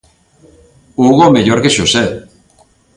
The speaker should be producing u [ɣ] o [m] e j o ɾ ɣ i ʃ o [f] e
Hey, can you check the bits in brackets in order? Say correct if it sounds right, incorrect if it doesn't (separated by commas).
correct, correct, incorrect